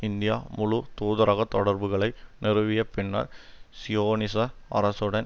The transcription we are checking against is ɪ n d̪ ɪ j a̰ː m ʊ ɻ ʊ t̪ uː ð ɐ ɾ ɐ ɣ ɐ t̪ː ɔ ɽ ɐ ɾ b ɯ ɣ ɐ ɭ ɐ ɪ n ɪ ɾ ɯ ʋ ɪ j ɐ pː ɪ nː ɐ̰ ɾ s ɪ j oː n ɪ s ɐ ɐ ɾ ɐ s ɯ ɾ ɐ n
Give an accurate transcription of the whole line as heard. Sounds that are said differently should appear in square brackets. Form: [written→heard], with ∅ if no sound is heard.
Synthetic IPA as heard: ɪ n d̪ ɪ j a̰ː m ʊ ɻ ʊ t̪ uː ð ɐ ɾ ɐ ɣ ɐ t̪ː ɔ ɽ ɐ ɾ b ɯ ɣ ɐ ɭ ɐ ɪ n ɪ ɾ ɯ ʋ ɪ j ɐ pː ɪ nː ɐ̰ ɾ s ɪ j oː n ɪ s ɐ ɐ ɾ ɐ s ɯ [ɾ→ɽ] ɐ n